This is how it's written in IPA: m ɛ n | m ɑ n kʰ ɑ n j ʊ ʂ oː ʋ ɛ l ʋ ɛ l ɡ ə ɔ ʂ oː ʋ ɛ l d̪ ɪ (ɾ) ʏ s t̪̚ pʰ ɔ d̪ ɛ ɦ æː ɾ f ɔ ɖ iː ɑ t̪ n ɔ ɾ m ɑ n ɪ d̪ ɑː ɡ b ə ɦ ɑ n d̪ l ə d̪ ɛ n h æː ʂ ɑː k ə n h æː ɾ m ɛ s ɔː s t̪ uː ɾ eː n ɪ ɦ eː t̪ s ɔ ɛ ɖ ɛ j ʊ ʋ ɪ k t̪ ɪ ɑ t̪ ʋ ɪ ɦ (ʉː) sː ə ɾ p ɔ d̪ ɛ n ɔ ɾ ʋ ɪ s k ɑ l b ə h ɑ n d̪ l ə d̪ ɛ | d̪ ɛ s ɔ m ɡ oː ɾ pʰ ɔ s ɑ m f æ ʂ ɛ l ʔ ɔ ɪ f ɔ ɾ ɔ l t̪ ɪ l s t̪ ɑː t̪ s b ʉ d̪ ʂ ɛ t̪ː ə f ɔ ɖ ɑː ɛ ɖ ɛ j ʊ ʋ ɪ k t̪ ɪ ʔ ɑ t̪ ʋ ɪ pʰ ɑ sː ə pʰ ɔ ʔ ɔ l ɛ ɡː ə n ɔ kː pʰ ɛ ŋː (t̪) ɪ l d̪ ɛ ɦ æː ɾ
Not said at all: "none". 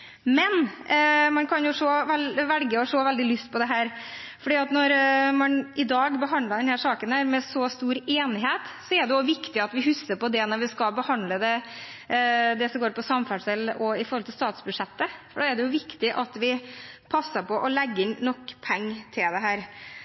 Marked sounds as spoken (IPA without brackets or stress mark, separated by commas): l, ʉ, t̪ʰ